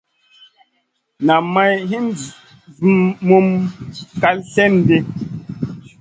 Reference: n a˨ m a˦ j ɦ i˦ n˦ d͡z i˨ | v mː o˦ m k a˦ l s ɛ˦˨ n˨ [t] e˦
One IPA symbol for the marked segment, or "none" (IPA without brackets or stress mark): d